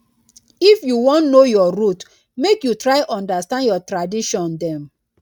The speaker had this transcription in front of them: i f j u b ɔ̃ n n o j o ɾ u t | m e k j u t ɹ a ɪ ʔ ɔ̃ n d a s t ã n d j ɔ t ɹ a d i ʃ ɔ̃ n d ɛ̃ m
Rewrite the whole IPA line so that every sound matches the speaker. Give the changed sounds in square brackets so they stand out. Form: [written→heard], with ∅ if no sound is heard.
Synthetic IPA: i f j u [b→w] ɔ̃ n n o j [o→ɔ] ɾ u t | m e k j u t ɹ a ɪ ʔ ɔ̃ n d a s t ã n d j ɔ t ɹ a d i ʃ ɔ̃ n d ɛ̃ m